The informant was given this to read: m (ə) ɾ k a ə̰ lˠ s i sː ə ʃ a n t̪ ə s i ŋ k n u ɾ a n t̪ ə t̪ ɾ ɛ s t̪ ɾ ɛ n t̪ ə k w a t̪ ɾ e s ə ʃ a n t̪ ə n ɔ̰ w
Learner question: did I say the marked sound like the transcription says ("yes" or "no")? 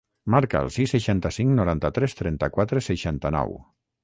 no